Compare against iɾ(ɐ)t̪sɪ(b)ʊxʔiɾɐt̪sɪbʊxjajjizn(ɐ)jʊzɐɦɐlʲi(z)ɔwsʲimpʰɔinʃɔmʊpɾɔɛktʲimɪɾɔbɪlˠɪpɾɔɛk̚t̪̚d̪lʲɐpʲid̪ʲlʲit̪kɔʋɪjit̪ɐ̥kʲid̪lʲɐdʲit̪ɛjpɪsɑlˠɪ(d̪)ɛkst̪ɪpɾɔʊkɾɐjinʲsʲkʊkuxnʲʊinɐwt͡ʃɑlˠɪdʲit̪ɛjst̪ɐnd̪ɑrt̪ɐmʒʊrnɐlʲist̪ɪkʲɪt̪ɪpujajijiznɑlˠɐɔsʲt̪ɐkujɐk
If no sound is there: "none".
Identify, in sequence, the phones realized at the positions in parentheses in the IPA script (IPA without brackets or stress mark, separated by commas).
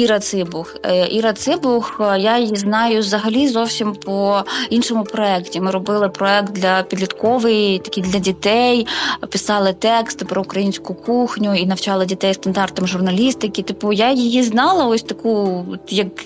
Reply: ɐ, b, ɑ, z, t̪